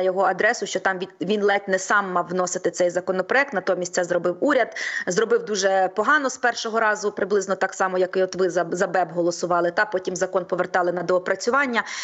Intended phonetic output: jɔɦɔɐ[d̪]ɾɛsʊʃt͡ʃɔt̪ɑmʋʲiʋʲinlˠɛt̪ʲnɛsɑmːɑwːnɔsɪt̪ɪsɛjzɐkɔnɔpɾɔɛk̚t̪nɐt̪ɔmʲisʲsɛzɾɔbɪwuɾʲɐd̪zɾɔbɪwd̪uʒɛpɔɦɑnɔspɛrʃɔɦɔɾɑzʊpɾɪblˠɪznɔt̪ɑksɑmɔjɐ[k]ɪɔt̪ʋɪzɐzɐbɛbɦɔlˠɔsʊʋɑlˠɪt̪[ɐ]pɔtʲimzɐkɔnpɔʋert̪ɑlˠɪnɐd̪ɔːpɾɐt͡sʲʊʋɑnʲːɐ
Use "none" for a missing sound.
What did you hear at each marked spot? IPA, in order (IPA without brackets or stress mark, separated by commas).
d̪, k, ɑ